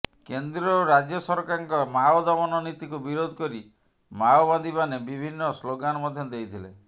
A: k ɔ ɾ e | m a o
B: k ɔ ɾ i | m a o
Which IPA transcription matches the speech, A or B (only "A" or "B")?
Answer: B